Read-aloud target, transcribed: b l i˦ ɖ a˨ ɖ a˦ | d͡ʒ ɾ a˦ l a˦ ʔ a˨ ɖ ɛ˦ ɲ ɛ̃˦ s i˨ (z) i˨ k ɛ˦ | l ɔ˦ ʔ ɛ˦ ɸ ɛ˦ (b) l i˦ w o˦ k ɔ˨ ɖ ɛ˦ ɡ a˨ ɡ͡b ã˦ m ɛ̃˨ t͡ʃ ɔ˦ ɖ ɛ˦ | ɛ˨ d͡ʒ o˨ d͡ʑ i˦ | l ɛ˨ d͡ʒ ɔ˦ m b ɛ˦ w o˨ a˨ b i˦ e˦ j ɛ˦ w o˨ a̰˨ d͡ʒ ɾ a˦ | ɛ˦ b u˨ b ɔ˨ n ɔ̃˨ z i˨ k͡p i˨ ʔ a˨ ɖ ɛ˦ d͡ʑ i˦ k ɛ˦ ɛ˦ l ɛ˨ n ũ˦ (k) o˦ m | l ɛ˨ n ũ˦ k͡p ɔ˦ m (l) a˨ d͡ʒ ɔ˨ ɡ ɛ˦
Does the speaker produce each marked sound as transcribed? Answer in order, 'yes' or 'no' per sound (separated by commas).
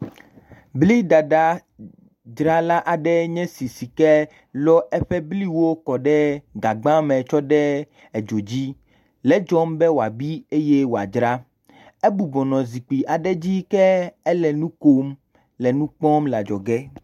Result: no, yes, yes, yes